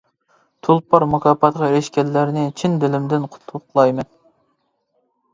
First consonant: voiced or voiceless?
voiceless